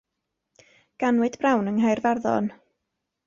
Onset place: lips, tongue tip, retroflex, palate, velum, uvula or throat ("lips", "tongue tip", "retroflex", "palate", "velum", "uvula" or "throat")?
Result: velum